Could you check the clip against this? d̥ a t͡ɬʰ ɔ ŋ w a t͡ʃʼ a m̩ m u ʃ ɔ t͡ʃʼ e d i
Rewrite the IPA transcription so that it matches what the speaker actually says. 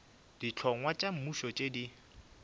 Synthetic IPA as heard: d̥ i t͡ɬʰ ɔ ŋ w a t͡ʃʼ a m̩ m u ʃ ɔ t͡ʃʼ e d i